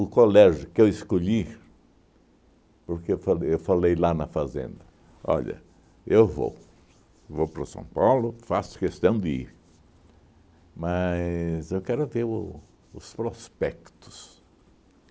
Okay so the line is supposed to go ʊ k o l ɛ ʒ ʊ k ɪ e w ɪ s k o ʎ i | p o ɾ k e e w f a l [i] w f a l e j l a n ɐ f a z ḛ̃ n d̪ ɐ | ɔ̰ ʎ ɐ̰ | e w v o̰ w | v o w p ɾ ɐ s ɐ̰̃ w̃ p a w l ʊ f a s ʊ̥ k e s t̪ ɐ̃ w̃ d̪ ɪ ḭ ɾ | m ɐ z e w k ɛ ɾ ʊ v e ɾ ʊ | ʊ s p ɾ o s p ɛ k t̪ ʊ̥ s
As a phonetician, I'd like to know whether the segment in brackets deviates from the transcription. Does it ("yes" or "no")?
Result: yes